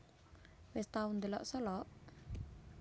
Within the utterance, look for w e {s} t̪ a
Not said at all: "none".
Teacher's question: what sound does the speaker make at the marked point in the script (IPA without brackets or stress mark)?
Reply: s